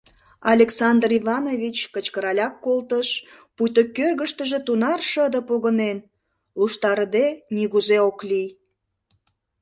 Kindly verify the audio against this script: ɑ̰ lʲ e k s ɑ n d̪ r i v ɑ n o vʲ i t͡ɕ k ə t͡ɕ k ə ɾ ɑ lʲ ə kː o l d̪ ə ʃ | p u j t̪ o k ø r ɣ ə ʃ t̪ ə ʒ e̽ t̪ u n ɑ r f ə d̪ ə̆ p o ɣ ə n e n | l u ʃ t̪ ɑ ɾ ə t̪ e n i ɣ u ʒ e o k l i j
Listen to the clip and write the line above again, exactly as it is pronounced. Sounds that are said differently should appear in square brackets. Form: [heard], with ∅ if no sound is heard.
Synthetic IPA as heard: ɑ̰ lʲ e k s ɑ n d̪ r i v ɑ n o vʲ i t͡ɕ k ə t͡ɕ k ə ɾ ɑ lʲ [ɑ] kː o l [t̪] ə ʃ | p u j t̪ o k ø r ɣ ə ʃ t̪ ə ʒ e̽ t̪ u n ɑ r [ʃ] ə d̪ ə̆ p o ɣ ə n e n | l u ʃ t̪ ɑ ɾ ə [d̪] e n i ɣ u [z] e o k l i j